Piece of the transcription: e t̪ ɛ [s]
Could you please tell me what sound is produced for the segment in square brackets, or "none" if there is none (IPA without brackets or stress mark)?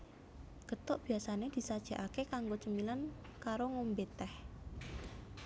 h